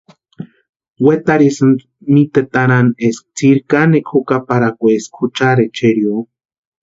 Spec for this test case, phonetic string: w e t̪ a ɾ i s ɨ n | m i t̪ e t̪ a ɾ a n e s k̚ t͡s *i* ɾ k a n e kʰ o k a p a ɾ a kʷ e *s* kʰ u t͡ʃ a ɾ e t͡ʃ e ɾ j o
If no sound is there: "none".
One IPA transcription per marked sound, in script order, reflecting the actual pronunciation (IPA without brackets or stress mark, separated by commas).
i, s